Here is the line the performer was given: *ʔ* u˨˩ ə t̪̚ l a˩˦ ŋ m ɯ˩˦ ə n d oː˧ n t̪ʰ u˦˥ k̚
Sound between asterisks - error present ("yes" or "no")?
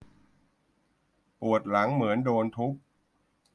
yes